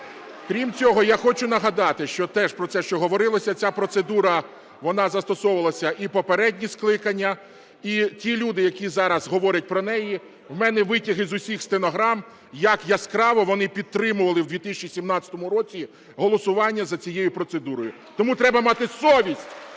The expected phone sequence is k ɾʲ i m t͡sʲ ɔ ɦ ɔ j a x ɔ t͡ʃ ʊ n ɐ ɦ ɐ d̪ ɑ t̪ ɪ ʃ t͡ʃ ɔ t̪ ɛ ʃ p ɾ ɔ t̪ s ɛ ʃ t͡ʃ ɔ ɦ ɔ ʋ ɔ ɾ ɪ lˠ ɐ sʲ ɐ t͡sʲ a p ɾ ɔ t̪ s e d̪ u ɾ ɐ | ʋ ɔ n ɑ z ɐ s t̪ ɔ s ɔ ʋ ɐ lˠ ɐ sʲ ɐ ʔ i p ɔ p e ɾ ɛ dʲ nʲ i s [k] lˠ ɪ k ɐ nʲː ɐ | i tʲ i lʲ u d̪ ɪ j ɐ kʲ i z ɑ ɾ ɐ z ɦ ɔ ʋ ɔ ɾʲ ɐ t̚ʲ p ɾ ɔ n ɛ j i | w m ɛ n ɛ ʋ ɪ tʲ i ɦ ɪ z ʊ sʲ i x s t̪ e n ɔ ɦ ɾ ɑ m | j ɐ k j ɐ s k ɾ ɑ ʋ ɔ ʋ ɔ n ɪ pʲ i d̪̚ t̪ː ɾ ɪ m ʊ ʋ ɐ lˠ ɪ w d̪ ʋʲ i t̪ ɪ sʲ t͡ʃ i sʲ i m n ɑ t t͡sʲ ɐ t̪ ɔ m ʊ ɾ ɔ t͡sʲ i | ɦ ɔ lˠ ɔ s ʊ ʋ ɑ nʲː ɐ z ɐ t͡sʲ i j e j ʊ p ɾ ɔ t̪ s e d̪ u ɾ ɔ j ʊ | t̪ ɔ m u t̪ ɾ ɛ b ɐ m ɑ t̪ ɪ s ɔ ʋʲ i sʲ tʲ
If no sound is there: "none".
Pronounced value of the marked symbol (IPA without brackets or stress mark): k